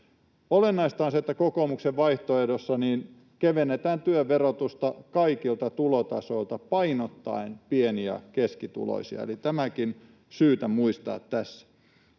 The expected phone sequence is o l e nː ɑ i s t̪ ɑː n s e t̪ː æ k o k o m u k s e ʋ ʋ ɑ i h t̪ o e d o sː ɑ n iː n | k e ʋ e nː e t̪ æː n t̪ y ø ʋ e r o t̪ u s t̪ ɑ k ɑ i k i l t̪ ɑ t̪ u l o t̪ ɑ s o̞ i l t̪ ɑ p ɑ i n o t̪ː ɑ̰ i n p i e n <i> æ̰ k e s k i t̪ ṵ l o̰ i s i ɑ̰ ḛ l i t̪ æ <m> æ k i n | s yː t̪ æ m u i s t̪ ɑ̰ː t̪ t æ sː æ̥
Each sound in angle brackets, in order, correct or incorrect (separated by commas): correct, correct